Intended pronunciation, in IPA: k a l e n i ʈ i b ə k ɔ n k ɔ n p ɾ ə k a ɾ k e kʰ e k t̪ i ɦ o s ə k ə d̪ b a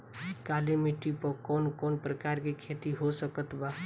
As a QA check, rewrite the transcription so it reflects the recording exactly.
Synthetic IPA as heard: k a l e m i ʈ i p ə k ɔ n k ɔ n p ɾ ə k a ɾ k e kʰ e t̪ i ɦ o s ə k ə t̪ b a